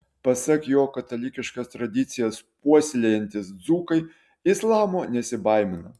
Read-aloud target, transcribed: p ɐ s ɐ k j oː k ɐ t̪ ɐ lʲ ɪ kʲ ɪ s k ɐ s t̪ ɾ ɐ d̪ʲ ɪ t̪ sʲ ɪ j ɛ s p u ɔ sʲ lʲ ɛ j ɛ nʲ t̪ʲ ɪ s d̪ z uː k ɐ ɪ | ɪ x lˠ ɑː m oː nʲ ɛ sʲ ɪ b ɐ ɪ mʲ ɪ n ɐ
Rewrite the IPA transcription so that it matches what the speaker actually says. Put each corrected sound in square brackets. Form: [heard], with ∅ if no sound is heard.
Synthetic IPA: p ɐ s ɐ k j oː k ɐ t̪ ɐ lʲ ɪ kʲ ɪ [ʃ] k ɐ s t̪ ɾ ɐ d̪ʲ ɪ t̪ sʲ ɪ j ɛ s p u ɔ sʲ lʲ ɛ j ɛ nʲ t̪ʲ ɪ s d̪ z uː k ɐ ɪ | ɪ [s] lˠ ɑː m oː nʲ ɛ sʲ ɪ b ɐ ɪ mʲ ɪ n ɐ

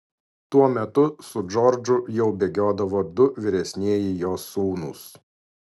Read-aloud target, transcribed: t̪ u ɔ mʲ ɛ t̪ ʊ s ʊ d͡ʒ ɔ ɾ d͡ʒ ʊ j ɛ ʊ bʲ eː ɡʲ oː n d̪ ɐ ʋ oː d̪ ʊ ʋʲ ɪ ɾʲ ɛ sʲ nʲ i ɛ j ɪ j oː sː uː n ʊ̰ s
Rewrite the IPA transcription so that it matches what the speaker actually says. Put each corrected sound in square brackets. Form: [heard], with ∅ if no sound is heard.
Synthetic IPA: t̪ u ɔ mʲ ɛ t̪ ʊ s ʊ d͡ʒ ɔ ɾ d͡ʒ ʊ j ɛ ʊ bʲ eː ɡʲ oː [∅] d̪ ɐ ʋ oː d̪ ʊ ʋʲ ɪ ɾʲ ɛ sʲ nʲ i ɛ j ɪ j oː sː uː n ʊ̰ s

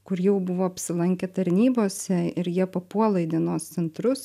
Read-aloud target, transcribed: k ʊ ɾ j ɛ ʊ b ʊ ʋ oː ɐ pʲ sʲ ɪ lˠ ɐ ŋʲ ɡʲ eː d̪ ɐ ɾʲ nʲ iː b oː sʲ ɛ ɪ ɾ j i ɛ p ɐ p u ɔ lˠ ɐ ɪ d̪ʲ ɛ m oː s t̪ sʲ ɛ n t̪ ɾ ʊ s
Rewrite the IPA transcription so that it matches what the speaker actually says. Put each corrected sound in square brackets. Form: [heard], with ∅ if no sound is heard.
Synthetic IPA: k ʊ ɾ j ɛ ʊ b ʊ ʋ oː ɐ pʲ sʲ ɪ lˠ ɐ ŋʲ [kʲ] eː [t̪] ɐ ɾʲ nʲ iː b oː sʲ ɛ ɪ ɾ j i ɛ p ɐ p u ɔ lˠ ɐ ɪ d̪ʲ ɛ [n] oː s t̪ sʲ ɛ n t̪ ɾ ʊ s

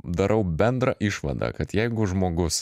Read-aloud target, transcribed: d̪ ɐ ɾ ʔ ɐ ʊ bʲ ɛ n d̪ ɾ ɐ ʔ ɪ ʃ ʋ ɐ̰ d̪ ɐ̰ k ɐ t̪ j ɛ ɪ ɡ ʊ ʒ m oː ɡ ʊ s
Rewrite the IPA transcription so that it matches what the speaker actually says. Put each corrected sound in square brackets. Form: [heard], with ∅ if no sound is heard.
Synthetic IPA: d̪ ɐ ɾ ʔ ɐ ʊ bʲ ɛ n d̪ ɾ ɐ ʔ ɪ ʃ ʋ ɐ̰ d̪ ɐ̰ k ɐ t̪ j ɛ ɪ ɡ ʊ ʒ m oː ɡ ʊ s

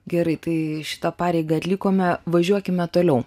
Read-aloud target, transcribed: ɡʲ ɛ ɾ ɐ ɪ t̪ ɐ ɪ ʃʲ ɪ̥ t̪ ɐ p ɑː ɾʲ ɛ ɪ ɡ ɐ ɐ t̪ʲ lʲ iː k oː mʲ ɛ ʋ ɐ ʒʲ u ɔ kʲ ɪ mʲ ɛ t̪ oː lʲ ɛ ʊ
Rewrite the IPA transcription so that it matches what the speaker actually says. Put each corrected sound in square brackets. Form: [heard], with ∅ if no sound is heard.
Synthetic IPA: ɡʲ ɛ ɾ ɐ ɪ t̪ ɐ ɪ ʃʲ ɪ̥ t̪ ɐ p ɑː ɾʲ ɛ ɪ ɡ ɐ ɐ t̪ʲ lʲ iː k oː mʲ ɛ ʋ ɐ ʒʲ u ɔ kʲ ɪ mʲ ɛ t̪ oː lʲ ɛ ʊ

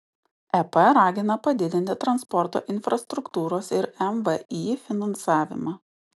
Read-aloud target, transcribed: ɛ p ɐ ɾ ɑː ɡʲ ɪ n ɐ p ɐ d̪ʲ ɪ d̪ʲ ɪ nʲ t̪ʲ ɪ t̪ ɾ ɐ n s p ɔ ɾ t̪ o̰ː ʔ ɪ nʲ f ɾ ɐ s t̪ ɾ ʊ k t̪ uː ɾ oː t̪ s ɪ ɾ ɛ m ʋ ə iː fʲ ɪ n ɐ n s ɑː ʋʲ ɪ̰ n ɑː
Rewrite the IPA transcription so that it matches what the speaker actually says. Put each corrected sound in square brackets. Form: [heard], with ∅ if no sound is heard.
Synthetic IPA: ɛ p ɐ ɾ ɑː ɡʲ ɪ n ɐ p ɐ d̪ʲ ɪ d̪ʲ ɪ nʲ t̪ʲ ɪ t̪ ɾ ɐ n s p ɔ ɾ t̪ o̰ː ʔ ɪ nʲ f ɾ ɐ s t̪ ɾ ʊ k t̪ uː ɾ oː [∅] s ɪ ɾ ɛ m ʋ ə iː fʲ ɪ n ɐ n s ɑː ʋʲ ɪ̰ [m] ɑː

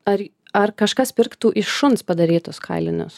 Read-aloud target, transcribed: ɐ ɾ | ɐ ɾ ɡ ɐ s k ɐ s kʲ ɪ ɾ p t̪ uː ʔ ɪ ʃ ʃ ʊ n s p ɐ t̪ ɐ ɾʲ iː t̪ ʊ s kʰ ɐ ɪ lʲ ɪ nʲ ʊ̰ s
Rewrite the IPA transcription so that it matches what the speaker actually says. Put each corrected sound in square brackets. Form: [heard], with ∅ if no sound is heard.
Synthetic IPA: ɐ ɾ | ɐ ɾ [k] ɐ [ʃ] k ɐ s [pʲ] ɪ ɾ [k] t̪ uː ʔ ɪ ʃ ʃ ʊ n s p ɐ [d̪] ɐ ɾʲ iː t̪ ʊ s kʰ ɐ ɪ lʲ ɪ nʲ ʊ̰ s

